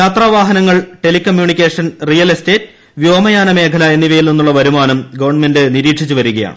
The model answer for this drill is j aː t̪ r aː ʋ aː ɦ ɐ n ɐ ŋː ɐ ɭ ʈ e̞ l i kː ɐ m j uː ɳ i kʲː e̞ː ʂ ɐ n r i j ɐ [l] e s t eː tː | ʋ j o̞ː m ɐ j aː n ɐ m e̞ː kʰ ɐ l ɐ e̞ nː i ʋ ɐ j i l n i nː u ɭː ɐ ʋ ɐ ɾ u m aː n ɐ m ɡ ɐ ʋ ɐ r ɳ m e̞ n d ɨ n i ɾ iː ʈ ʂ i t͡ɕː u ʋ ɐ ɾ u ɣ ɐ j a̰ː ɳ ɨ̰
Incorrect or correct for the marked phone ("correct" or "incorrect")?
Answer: correct